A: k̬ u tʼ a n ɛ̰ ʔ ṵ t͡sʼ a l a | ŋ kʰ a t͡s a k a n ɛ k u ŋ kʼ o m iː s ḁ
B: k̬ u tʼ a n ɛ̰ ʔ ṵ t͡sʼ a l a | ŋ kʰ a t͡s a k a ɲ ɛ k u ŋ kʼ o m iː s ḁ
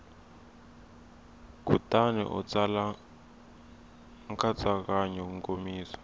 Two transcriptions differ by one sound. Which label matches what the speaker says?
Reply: B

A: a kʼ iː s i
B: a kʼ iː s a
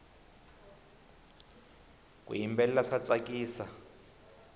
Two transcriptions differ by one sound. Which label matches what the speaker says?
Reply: B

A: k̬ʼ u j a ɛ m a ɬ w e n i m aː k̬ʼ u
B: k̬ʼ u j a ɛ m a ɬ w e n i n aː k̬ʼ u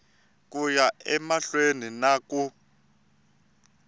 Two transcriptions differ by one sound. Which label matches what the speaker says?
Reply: B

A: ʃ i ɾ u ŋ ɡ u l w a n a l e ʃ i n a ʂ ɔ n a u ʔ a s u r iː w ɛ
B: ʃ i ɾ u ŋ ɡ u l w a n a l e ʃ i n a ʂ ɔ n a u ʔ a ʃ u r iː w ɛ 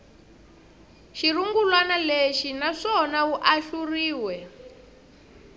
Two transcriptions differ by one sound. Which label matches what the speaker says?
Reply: B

